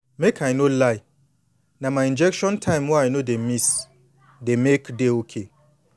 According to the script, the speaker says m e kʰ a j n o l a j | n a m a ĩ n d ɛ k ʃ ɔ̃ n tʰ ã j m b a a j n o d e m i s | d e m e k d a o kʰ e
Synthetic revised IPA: m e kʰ a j n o l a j | n a m a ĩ n d͡ʒ ɛ k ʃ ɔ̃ n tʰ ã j m w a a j n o d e m i s | d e m e k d e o kʰ e